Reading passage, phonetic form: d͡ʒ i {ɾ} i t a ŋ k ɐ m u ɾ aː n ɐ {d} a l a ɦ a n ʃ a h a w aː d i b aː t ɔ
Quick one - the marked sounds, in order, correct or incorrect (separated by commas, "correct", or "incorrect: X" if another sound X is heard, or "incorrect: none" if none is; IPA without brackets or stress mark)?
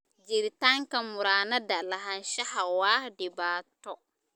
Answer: correct, correct